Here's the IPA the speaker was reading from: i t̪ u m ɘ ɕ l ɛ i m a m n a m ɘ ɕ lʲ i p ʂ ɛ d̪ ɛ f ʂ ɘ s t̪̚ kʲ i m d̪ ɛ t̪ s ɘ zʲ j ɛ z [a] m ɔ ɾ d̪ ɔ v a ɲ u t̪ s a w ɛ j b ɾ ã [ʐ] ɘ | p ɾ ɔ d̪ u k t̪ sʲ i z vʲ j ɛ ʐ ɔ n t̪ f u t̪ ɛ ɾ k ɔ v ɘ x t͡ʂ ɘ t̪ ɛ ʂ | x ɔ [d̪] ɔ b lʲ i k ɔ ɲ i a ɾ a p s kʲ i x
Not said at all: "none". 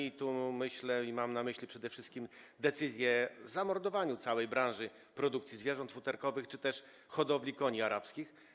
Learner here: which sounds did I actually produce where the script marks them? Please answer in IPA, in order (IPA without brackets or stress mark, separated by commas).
a, ʐ, d̪